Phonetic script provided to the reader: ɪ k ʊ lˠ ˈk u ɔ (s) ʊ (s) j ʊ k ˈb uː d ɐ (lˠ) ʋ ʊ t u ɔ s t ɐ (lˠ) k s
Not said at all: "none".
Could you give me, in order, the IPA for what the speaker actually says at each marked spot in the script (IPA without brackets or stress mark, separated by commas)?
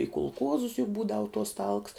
z, s, none, lˠ